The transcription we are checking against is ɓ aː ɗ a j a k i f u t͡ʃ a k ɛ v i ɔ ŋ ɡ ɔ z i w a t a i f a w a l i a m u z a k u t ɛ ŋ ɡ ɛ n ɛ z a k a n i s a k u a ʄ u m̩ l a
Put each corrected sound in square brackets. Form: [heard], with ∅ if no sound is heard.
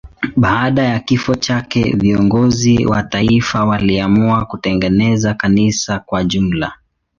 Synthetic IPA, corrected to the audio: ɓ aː ɗ a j a k i f [ɔ] t͡ʃ a k ɛ v i ɔ ŋ ɡ ɔ z i w a t a i f a w a l i a m u [∅] a k u t ɛ ŋ ɡ ɛ n ɛ z a k a n i s a k [w] a ʄ u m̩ l a